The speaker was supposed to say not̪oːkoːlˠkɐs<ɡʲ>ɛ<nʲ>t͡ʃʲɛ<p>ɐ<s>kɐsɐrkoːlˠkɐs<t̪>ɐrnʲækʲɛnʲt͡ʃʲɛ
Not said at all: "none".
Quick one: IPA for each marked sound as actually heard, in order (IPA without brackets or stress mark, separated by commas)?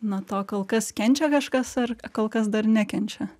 kʲ, nʲ, k, ʃ, d̪